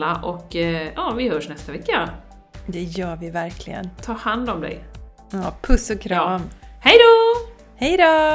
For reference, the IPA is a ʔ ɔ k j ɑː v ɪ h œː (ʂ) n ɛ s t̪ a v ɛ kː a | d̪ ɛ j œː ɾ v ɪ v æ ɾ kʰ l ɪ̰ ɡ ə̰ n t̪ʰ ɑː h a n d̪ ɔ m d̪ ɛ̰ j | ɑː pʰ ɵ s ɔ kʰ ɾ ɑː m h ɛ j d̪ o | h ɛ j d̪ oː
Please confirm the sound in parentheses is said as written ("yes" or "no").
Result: yes